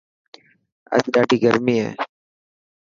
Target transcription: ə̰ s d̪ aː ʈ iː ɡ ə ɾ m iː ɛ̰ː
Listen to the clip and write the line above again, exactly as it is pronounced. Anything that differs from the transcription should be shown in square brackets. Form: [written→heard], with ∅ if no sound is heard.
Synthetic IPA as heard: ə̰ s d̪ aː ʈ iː ɡ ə ɾ m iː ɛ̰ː